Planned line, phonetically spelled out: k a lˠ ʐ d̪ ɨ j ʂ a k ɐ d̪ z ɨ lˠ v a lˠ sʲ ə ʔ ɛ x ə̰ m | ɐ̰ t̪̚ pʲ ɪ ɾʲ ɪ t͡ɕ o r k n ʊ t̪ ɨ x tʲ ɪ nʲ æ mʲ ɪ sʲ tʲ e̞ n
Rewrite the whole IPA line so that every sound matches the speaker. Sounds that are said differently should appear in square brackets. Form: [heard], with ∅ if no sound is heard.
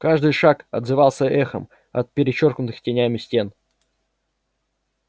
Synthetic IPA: k a [∅] ʐ d̪ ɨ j ʂ a k ɐ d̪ z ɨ [∅] v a lˠ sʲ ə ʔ ɛ x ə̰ m | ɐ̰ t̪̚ pʲ ɪ ɾʲ ɪ t͡ɕ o r k n ʊ t̪ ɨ x tʲ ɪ nʲ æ mʲ ɪ sʲ tʲ e̞ n